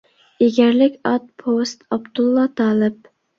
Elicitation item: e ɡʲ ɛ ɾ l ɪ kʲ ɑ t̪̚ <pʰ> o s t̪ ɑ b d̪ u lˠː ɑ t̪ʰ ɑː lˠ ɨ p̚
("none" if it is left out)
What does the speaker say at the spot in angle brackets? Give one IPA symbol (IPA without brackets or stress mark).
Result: pʰ